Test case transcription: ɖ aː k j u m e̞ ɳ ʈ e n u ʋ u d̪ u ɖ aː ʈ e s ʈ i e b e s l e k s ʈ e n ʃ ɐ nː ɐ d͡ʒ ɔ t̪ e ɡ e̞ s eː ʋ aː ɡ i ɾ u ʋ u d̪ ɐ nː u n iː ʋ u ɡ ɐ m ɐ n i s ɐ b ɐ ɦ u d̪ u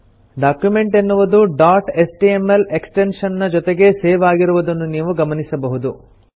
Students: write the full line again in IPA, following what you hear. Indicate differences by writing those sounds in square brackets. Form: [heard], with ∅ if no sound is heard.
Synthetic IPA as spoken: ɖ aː k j u m e̞ ɳ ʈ e [nː] u ʋ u d̪ u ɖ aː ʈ e s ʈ i e [m] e [∅] l e k s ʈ e n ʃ ɐ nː ɐ d͡ʒ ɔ t̪ e ɡ e̞ s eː ʋ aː ɡ i ɾ u ʋ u d̪ ɐ nː u n iː ʋ u ɡ ɐ m ɐ n i s ɐ b ɐ ɦ u d̪ u

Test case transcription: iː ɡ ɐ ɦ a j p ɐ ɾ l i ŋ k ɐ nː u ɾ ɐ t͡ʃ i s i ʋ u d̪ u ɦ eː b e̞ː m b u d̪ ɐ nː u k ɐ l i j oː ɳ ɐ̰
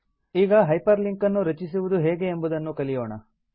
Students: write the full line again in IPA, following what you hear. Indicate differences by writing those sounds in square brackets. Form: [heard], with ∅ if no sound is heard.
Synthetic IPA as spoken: iː ɡ ɐ ɦ [ɐ] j p ɐ ɾ l i ŋ k ɐ nː u ɾ ɐ t͡ʃ i s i ʋ u d̪ u ɦ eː [ɡ] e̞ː m b u d̪ ɐ nː u k ɐ l i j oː ɳ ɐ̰

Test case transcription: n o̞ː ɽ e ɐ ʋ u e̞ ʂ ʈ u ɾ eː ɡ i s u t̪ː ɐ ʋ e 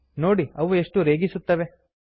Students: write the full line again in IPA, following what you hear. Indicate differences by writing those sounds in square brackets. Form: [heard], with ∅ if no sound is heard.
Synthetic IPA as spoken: n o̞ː ɽ [i] ɐ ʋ u e̞ ʂ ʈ u ɾ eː ɡ i s u t̪ː ɐ ʋ e

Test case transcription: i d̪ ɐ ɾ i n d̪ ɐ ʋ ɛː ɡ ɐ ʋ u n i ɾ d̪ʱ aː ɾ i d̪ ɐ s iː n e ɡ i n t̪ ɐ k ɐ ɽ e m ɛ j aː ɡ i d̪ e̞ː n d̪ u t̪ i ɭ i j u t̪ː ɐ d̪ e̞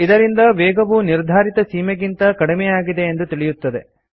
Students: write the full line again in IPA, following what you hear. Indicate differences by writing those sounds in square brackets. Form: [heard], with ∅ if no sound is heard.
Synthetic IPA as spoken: i d̪ ɐ ɾ i n d̪ ɐ ʋ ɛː ɡ ɐ ʋ u n i ɾ d̪ʱ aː ɾ i [t̪] ɐ s iː [m] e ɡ i n t̪ ɐ k ɐ ɽ [i] m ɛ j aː ɡ i d̪ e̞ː n d̪ u t̪ i ɭ i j u t̪ː ɐ d̪ e̞

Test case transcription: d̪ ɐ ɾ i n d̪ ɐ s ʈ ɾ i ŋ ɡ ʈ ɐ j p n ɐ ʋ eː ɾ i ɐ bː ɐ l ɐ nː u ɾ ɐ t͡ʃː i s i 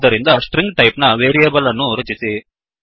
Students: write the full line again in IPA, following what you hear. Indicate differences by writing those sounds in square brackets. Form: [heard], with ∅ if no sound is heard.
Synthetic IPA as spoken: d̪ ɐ ɾ i n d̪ ɐ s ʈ ɾ i ŋ ɡ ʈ ɐ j p n ɐ ʋ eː ɾ i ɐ [b] ɐ l ɐ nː u ɾ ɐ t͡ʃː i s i

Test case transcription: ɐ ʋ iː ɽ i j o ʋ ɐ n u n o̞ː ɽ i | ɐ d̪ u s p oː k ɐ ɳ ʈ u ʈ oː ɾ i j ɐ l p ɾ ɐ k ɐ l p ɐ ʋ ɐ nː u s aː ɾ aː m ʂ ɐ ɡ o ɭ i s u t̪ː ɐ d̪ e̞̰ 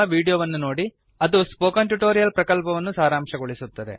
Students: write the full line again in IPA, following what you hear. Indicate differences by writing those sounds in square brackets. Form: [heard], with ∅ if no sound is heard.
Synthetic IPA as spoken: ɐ ʋ iː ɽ i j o ʋ ɐ [nː] u n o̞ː ɽ i | ɐ d̪ u s p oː k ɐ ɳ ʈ u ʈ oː ɾ i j ɐ l p ɾ ɐ k ɐ l p ɐ ʋ ɐ nː u s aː ɾ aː m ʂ ɐ ɡ o ɭ i s u t̪ː ɐ d̪ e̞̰

